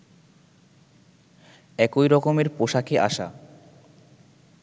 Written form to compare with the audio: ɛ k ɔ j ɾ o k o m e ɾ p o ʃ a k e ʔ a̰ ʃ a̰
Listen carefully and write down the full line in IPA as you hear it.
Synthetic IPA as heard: ɛ k o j ɾ ɔ k o m e ɾ p o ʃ a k e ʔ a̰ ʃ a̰